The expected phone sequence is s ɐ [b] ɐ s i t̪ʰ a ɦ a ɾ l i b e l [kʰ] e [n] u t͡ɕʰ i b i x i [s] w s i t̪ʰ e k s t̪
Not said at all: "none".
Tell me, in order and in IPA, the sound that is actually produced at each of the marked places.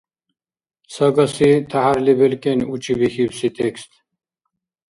ɡ, k, n, none

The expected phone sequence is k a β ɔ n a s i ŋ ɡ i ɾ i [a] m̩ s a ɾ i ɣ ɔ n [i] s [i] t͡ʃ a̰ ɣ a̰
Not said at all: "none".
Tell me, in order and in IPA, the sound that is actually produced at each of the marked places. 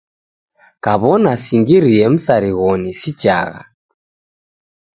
ɛ, i, i

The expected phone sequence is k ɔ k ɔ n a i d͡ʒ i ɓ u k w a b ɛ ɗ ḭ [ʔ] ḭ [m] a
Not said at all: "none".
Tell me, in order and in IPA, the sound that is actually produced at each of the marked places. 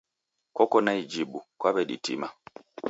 t, m

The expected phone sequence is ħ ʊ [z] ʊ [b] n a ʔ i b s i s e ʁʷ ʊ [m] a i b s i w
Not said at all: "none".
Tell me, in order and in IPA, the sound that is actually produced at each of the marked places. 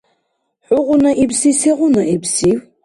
ʁ, none, n

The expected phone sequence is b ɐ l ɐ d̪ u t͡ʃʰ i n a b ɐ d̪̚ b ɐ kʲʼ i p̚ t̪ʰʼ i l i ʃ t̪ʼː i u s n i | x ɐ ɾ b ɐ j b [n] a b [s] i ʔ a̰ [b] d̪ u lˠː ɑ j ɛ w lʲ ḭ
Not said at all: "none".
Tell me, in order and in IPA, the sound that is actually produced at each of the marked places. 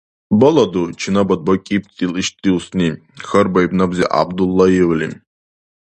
n, z, b

